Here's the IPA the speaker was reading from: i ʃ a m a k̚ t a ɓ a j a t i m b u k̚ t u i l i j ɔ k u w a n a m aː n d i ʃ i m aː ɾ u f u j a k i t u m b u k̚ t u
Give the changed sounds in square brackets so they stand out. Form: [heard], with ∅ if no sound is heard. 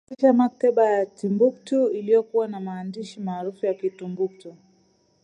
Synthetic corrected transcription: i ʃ a m a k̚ t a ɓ a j a t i m b u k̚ t u i l i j ɔ k u w a n a m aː n d i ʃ i m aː ɾ u f u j a k i t u m b u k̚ t u